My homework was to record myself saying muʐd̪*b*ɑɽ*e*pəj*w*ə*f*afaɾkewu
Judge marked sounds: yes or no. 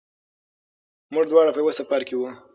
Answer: no, no, yes, no

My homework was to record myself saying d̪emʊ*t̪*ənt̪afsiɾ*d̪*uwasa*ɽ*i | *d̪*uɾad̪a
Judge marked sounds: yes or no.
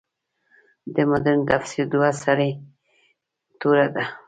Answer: no, yes, no, no

